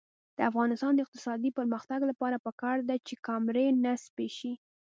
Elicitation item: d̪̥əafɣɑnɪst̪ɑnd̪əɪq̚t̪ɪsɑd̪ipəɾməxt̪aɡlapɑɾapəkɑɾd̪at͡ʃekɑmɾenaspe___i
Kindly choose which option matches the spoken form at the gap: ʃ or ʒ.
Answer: ʃ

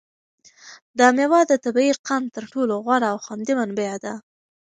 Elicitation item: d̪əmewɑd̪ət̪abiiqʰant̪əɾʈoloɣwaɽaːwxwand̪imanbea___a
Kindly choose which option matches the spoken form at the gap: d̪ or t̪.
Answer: d̪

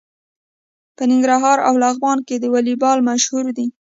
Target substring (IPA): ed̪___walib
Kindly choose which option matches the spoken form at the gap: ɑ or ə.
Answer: ə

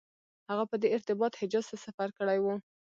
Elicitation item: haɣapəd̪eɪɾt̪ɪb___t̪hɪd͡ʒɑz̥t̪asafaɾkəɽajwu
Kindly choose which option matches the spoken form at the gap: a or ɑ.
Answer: ɑ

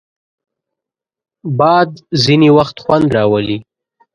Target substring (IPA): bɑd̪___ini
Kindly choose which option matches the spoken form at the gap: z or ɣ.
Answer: z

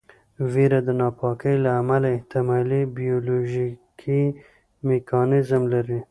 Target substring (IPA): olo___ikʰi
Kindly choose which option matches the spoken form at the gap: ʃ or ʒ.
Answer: ʒ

